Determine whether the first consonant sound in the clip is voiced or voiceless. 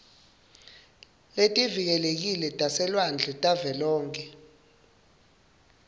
voiced